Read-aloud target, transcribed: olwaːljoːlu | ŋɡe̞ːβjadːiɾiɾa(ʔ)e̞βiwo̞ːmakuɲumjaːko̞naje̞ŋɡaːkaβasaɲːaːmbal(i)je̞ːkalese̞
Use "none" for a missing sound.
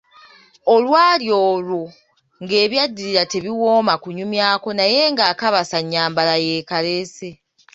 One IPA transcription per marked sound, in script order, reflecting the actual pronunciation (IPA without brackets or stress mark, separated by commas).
t, a